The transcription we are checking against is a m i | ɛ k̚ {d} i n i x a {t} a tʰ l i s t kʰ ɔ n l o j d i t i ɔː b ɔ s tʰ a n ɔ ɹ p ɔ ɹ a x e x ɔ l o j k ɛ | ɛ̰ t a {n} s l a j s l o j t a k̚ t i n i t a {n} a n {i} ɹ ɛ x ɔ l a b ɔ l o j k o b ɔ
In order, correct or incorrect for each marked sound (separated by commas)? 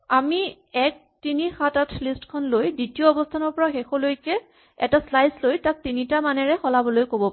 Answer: incorrect, correct, incorrect, incorrect, incorrect